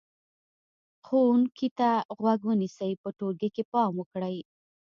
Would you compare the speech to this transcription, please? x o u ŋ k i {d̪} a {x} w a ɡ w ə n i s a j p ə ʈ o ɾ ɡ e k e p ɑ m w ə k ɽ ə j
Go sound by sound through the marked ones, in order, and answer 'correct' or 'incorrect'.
incorrect, incorrect

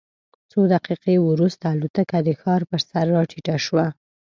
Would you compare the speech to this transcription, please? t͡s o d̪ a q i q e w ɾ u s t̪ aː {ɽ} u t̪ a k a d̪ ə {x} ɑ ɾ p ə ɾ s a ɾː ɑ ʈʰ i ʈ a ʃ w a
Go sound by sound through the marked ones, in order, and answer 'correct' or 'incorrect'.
incorrect, correct

